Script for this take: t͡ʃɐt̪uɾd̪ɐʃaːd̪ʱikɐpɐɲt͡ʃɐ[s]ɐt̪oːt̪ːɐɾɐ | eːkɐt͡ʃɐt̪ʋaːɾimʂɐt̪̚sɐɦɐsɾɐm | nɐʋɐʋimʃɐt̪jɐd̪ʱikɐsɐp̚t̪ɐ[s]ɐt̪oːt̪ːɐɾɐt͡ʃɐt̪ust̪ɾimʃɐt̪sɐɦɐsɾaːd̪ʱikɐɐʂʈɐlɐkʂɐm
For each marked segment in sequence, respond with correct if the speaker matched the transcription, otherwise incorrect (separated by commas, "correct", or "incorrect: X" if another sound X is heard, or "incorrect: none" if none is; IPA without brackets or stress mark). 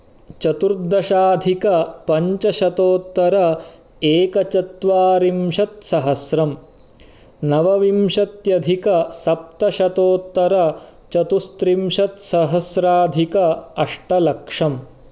incorrect: ʃ, incorrect: ʃ